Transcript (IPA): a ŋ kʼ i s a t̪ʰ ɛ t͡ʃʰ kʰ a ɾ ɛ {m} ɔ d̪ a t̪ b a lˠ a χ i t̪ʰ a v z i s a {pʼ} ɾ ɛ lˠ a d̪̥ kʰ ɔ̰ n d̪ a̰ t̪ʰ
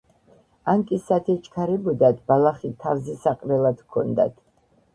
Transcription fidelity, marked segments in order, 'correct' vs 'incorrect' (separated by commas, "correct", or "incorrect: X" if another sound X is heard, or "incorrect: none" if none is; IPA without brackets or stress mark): incorrect: b, incorrect: qʼ